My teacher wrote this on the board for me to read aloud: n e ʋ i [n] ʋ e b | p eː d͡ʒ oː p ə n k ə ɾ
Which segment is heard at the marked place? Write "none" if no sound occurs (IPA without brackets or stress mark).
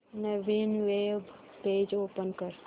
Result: n